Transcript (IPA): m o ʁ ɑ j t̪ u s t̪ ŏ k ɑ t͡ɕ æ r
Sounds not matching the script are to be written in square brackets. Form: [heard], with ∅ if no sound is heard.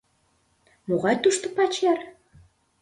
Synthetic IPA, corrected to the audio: m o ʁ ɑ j t̪ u [ʃ] t̪ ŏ [p] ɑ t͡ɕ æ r